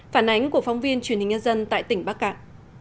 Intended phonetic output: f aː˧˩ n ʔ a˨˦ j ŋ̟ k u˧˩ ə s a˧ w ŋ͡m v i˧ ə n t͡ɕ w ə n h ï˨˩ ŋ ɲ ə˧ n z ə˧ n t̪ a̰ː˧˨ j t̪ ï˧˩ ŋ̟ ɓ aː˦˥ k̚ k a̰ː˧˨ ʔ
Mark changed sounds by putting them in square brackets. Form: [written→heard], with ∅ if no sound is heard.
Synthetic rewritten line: f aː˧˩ n ʔ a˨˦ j ŋ̟ k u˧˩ ə [s→f] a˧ w ŋ͡m v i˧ ə n t͡ɕ w ə n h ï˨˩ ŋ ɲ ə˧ n z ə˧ n t̪ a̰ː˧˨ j t̪ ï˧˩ ŋ̟ ɓ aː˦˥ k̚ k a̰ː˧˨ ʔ